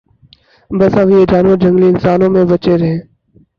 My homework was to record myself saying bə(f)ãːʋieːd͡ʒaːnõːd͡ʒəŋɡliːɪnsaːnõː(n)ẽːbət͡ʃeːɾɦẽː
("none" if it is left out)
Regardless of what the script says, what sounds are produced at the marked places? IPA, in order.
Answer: s, m

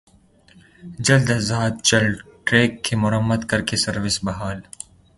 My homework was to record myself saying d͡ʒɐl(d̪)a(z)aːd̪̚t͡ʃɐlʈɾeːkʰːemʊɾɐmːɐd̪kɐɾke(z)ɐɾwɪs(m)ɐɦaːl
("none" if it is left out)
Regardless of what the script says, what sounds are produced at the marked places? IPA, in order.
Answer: d̪, z, s, b

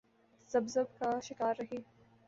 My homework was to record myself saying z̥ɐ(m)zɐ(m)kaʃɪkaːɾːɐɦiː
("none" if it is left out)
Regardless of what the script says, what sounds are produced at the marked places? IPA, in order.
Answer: b, b

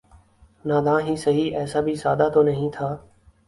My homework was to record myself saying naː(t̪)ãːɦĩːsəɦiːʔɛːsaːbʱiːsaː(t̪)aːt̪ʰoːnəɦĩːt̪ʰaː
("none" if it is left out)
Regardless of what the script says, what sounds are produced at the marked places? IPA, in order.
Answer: d̪, d̪

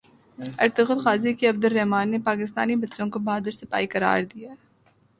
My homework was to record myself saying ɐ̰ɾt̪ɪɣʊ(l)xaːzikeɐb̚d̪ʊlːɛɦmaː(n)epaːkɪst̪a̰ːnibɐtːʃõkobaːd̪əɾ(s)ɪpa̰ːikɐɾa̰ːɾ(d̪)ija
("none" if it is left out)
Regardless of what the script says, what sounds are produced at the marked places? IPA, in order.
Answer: l, nː, s, d̪

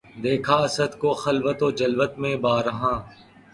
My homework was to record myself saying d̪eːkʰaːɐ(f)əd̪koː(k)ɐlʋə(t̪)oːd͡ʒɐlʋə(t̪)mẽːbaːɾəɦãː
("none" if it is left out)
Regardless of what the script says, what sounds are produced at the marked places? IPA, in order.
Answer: s, x, t̪, t̪

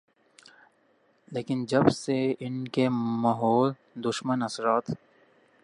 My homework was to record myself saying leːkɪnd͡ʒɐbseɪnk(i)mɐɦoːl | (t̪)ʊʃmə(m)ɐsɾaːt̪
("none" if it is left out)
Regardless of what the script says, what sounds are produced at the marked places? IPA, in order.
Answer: e, d̪, n

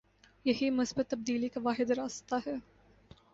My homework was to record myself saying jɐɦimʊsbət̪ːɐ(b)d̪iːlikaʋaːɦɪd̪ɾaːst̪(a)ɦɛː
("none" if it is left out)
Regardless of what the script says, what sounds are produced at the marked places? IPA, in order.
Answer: b, a

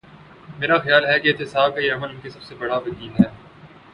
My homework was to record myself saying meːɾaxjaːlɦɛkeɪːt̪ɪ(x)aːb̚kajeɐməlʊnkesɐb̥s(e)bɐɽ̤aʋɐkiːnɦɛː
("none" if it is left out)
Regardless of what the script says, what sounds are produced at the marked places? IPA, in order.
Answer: s, e

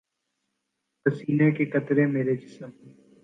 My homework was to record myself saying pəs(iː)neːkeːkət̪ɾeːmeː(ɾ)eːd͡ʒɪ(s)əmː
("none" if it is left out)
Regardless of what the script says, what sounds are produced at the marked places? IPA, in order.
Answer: iː, ɾ, s

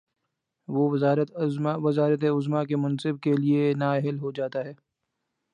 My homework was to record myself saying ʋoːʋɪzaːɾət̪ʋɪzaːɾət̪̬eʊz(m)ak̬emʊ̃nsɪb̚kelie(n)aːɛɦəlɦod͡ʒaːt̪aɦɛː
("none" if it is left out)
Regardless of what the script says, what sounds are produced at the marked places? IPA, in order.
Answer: m, n

